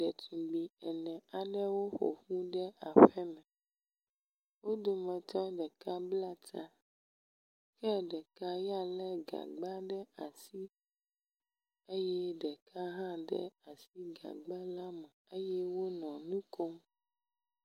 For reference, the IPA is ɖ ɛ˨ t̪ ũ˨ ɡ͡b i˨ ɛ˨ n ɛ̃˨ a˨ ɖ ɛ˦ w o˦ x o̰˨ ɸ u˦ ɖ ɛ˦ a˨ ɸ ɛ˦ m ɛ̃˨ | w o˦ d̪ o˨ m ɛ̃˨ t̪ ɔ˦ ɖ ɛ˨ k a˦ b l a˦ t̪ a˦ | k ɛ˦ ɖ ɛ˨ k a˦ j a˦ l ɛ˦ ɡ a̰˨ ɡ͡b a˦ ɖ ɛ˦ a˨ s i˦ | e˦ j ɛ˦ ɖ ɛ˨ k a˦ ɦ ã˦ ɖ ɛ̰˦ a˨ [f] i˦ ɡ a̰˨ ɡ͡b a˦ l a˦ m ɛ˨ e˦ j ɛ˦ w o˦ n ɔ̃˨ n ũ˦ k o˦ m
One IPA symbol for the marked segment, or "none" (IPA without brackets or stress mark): s